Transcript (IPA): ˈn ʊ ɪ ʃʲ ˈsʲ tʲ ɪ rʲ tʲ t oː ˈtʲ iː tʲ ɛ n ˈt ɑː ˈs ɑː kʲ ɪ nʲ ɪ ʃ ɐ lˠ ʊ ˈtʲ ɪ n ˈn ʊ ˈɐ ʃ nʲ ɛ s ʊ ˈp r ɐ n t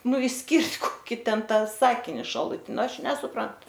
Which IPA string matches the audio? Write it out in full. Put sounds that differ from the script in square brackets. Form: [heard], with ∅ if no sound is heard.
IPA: ˈn ʊ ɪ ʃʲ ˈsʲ [kʲ] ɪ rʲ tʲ [k] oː [ˈkʲ] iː tʲ ɛ n ˈt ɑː ˈs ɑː kʲ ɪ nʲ ɪ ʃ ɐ lˠ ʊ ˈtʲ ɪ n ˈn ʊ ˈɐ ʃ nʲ ɛ s ʊ ˈp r ɐ n t